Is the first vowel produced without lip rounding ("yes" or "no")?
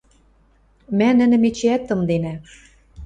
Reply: yes